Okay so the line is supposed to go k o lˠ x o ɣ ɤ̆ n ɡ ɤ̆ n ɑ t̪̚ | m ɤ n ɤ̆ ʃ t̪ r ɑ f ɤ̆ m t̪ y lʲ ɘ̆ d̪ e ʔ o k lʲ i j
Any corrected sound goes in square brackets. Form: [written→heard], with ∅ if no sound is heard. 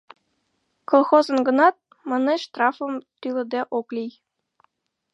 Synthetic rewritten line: k o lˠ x o [ɣ→z] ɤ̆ n ɡ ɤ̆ n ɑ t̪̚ | m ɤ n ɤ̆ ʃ t̪ r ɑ f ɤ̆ m t̪ y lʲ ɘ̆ d̪ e ʔ o k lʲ i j